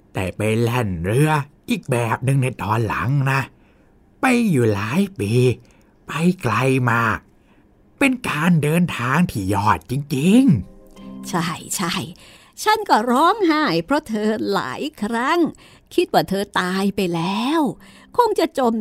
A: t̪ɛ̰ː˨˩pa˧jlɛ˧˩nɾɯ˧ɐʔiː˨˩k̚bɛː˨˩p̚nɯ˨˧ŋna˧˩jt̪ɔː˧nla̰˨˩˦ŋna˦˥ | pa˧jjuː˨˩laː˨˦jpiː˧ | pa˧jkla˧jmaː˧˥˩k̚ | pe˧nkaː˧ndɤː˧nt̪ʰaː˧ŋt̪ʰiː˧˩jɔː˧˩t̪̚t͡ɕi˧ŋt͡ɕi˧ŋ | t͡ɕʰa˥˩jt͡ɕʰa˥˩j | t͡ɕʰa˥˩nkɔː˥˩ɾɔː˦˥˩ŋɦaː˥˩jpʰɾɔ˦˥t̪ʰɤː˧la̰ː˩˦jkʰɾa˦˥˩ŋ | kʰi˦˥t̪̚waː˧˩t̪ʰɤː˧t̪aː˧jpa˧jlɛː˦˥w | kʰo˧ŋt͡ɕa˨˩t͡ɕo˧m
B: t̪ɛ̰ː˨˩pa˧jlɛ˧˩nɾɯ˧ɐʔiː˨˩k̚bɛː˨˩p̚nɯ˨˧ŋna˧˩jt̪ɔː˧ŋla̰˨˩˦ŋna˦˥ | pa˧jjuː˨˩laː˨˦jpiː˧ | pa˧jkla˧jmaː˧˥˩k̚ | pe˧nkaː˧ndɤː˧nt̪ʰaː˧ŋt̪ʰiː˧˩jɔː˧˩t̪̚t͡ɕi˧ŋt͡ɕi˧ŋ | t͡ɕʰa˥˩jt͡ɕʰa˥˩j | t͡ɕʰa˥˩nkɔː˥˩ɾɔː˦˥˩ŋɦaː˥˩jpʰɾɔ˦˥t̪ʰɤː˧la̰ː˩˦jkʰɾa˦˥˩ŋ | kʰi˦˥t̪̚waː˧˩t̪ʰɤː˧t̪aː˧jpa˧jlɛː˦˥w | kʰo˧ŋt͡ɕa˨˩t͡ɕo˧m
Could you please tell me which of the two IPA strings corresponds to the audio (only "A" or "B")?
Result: A